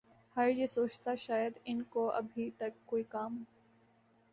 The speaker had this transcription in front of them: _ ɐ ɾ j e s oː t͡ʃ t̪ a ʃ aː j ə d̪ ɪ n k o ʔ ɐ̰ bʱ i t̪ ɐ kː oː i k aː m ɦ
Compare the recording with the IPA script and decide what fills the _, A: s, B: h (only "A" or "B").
B